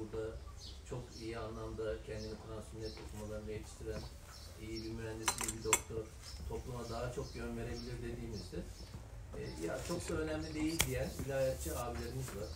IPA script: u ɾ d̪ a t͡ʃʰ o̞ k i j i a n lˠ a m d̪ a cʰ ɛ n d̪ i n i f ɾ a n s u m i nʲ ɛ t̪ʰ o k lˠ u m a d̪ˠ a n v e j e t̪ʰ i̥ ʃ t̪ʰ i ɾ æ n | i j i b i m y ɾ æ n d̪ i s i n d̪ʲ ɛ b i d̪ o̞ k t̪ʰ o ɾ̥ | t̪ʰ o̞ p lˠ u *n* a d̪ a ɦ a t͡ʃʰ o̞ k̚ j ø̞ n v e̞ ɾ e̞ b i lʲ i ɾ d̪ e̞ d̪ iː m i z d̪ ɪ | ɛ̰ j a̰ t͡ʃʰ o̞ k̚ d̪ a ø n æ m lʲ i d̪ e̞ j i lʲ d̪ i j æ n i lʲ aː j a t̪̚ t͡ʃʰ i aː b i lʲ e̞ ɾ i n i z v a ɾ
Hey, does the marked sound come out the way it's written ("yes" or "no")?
no